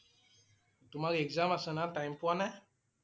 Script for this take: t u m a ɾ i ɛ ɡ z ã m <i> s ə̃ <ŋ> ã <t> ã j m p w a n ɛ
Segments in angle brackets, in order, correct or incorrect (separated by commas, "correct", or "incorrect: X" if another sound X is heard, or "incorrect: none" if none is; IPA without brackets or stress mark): incorrect: a, incorrect: n, correct